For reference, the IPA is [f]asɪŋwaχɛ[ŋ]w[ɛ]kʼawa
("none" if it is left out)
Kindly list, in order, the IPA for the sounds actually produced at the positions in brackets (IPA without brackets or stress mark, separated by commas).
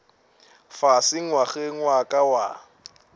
f, ŋ, a